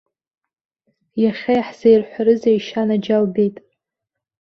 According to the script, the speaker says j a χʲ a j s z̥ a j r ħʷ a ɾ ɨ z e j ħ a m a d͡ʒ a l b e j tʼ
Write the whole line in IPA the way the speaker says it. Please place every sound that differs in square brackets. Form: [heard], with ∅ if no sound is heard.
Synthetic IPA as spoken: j a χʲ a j [ħ] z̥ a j r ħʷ a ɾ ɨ z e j [ʃ] a [n] a d͡ʒ a l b e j tʼ